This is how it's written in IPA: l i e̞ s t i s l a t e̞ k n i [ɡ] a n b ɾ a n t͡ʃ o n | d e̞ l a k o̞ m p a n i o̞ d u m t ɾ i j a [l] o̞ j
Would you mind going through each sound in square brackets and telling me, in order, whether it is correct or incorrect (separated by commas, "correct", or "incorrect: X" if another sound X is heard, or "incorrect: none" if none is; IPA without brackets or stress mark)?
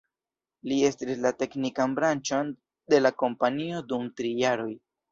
incorrect: k, incorrect: ɾ